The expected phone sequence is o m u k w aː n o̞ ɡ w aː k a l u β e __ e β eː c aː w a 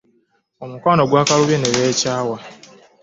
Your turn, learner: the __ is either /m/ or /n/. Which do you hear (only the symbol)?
n